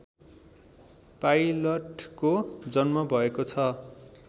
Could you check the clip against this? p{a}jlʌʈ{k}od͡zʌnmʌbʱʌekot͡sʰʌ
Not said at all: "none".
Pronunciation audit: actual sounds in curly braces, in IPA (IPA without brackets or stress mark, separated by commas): a, k